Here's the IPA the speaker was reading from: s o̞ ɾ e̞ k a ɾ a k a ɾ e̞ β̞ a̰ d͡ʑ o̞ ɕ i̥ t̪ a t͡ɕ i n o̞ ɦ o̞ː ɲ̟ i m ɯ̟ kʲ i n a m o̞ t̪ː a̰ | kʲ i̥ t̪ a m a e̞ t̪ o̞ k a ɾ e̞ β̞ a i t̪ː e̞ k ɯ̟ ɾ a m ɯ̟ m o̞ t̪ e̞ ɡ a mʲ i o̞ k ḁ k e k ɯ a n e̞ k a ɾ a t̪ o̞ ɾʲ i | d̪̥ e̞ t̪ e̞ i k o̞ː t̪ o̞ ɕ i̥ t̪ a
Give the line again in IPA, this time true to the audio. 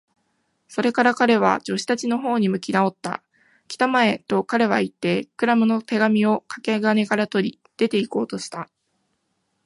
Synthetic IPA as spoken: s o̞ ɾ e̞ k a ɾ a k a ɾ e̞ β̞ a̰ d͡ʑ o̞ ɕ i̥ t̪ a t͡ɕ i n o̞ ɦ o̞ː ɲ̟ i m ɯ̟ kʲ i n a o̞ t̪ː a̰ | kʲ i̥ t̪ a m a e̞ t̪ o̞ k a ɾ e̞ β̞ a i t̪ː e̞ k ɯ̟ ɾ a m ɯ̟ n o̞ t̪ e̞ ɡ a mʲ i o̞ k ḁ k e ɡ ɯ a n e̞ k a ɾ a t̪ o̞ ɾʲ i | d̪̥ e̞ t̪ e̞ i k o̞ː t̪ o̞ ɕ i̥ t̪ a